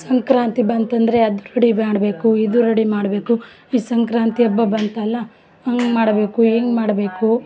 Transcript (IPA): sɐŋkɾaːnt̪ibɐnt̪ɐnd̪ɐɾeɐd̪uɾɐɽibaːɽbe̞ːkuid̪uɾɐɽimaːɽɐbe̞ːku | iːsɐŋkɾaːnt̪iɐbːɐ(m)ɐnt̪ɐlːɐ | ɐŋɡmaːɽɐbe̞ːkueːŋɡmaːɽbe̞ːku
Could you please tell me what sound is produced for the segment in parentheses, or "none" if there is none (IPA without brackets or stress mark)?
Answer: b